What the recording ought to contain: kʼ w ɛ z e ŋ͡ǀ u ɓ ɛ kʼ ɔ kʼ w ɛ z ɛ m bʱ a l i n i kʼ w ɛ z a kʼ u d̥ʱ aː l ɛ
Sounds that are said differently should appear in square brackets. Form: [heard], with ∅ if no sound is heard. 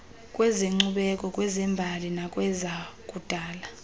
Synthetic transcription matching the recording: kʼ w ɛ z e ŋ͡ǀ u ɓ ɛ kʼ ɔ kʼ w ɛ z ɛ m bʱ a l i n [a] kʼ w ɛ z a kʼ u d̥ʱ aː l [a]